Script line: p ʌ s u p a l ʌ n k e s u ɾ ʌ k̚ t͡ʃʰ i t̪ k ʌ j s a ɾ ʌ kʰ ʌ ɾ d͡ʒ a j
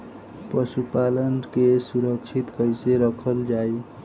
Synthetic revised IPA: p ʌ s u p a l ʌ n k e s u ɾ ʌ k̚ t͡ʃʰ i t̪ k ʌ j s e ɾ ʌ kʰ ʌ l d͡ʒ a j